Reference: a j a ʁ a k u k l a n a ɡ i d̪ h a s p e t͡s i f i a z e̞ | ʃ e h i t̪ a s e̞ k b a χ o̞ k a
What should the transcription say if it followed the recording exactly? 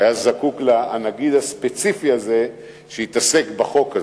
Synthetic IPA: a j a z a k u k l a n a ɡ i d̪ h a s p e t͡s i f i a z e̞ | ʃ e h i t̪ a s e̞ k b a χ o̞ k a